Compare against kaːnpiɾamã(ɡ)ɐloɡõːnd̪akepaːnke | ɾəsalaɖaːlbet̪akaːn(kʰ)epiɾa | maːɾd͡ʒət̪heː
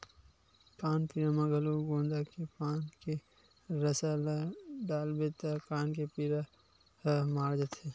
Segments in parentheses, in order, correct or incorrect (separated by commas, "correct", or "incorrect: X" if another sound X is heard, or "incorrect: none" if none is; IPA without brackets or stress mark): correct, incorrect: k